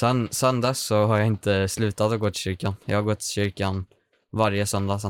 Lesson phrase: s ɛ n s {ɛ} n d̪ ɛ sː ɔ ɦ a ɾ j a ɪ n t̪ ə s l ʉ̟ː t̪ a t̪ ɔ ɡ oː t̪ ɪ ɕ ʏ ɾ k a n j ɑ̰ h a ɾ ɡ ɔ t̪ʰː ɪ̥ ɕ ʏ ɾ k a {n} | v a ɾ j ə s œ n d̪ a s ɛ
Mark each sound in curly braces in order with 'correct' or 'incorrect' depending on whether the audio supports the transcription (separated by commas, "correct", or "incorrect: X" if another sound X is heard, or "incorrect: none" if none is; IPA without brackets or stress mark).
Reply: incorrect: œ, correct